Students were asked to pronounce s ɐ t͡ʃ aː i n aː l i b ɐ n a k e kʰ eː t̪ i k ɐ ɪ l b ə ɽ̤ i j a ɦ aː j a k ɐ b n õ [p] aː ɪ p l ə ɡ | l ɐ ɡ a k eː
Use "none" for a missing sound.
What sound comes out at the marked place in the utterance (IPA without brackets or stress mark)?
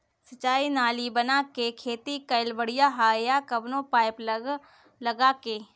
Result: p